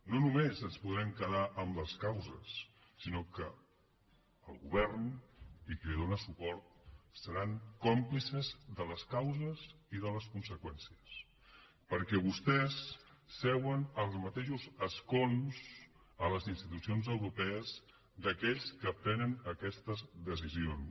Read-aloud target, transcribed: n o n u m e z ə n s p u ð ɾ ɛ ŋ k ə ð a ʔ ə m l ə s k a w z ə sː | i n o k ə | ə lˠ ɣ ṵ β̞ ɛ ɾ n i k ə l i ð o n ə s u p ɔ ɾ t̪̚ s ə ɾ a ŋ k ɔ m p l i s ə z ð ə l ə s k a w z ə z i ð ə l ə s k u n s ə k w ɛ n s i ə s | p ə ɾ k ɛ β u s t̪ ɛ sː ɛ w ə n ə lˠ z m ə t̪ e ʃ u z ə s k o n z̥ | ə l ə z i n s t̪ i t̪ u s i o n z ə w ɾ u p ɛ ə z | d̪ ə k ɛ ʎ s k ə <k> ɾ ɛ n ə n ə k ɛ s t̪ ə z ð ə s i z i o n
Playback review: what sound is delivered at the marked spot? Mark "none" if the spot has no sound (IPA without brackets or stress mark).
p